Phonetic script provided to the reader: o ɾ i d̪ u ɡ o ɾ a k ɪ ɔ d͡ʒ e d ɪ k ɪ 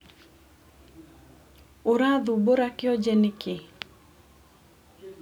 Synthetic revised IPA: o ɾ a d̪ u b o ɾ a k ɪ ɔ d͡ʒ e n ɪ k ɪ